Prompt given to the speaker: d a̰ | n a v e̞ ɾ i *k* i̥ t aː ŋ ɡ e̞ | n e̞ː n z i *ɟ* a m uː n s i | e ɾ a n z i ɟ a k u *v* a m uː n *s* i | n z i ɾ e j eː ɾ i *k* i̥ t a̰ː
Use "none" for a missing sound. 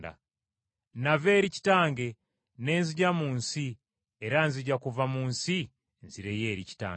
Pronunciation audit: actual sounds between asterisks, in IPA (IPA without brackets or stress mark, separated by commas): c, ɟ, v, s, c